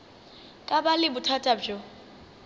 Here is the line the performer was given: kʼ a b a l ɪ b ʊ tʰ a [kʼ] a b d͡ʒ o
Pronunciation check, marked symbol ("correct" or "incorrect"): incorrect